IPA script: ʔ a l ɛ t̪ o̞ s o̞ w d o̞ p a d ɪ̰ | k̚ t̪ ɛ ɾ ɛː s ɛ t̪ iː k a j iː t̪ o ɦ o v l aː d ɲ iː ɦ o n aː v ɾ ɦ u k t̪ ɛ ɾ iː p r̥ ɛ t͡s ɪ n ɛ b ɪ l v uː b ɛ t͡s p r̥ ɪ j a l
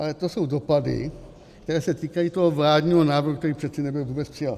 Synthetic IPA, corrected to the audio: ʔ a l ɛ t̪ o̞ s o̞ w d o̞ p a d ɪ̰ | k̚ t̪ ɛ ɾ ɛː s ɛ t̪ iː k a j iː t̪ o ɦ o v l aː d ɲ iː ɦ o n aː v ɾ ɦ u k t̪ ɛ ɾ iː p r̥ ɛ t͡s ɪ n ɛ b ɪ l v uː b ɛ t͡s p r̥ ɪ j a l